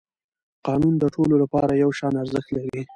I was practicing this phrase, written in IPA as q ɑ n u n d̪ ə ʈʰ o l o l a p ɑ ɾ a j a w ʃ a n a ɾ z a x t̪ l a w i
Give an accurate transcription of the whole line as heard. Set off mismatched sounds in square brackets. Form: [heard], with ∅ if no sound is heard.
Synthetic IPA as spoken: q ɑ n u n d̪ ə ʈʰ o l o l a p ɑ ɾ a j a w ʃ [ɑ] n a ɾ z [ə] x t̪ l a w i